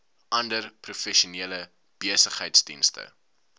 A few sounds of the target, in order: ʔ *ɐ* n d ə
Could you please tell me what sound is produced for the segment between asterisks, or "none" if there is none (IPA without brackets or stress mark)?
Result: ɐ